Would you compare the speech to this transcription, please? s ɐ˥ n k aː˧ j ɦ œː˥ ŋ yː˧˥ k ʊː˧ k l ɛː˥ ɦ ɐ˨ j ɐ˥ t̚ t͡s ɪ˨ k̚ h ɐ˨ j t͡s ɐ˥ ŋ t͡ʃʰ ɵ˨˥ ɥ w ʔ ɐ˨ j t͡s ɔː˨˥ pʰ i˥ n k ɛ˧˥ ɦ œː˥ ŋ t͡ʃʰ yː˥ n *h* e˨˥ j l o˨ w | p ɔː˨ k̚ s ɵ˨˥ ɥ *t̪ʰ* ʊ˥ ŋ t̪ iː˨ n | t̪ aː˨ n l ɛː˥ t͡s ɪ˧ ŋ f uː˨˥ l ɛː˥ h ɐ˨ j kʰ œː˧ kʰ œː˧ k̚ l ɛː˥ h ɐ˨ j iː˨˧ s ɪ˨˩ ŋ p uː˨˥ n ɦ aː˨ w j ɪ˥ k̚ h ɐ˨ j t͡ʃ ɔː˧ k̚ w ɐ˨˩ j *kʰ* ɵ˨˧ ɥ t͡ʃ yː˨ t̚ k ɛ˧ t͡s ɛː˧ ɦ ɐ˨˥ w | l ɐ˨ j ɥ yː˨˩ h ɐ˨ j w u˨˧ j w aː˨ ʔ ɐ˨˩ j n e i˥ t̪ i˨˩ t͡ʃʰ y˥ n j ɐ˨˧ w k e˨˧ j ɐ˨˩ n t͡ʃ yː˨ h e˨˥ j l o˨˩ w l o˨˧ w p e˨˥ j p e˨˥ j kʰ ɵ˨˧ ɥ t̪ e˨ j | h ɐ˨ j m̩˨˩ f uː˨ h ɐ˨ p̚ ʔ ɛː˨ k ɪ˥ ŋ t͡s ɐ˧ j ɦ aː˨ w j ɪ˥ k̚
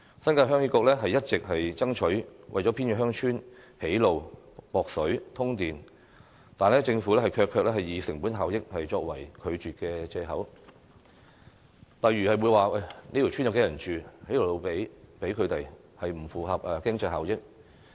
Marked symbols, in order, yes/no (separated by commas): yes, yes, yes